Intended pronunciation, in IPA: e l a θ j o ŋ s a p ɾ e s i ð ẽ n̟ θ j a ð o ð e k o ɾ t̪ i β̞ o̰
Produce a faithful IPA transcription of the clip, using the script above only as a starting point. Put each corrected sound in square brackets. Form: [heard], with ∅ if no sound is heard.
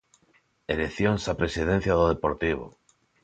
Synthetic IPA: e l [e] θ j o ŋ s a p ɾ e s i ð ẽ n̟ θ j a ð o ð e [p] o ɾ t̪ i β̞ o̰